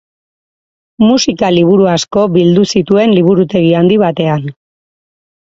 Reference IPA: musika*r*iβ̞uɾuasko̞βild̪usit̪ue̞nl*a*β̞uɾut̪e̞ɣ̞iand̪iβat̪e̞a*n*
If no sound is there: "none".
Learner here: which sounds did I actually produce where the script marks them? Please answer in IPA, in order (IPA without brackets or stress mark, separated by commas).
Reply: l, i, n